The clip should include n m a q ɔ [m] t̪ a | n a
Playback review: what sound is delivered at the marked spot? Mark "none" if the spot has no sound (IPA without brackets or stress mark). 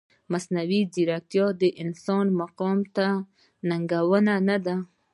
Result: m